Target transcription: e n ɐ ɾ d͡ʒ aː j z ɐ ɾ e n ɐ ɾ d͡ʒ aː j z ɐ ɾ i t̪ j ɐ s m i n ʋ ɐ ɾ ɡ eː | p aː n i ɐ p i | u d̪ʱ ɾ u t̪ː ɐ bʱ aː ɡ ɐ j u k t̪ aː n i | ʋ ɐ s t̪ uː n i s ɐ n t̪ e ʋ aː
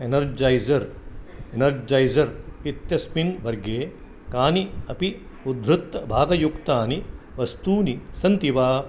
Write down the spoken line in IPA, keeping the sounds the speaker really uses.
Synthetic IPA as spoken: e n ɐ ɾ d͡ʒ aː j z ɐ ɾ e n ɐ ɾ d͡ʒ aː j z ɐ ɾ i t̪ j ɐ s m i n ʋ ɐ ɾ ɡ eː | k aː n i ɐ p i | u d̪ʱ ɾ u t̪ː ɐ bʱ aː ɡ ɐ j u k t̪ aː n i | ʋ ɐ s t̪ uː n i s ɐ n t̪ i ʋ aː